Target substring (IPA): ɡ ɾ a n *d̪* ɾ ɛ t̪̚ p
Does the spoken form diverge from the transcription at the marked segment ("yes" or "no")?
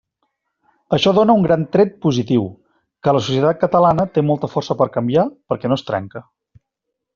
yes